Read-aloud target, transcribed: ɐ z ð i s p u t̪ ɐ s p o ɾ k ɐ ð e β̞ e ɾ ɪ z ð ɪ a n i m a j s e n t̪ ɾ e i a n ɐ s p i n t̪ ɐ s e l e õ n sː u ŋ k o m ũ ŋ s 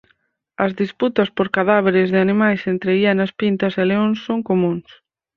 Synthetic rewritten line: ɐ z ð i s p u t̪ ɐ s p o ɾ k a ð a β̞ e ɾ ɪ z ð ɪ a n i m a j s e n t̪ ɾ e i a n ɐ s p i n t̪ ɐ s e l e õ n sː o ŋ k o m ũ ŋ s